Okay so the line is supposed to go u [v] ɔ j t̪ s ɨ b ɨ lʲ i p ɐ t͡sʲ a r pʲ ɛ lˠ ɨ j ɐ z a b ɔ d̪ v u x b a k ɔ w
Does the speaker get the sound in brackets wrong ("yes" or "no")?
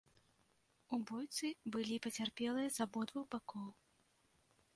yes